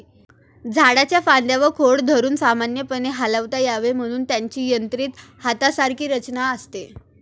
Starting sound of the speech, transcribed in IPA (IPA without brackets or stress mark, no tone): d͡zʱ